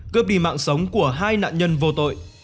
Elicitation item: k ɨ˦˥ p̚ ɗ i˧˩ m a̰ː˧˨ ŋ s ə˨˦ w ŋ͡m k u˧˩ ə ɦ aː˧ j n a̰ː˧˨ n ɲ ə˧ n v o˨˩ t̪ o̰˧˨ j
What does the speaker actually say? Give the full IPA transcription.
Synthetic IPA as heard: k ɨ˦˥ p̚ ɗ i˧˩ m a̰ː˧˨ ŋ s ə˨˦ w ŋ͡m k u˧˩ ə ɦ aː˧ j n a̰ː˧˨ n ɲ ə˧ n v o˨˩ t̪ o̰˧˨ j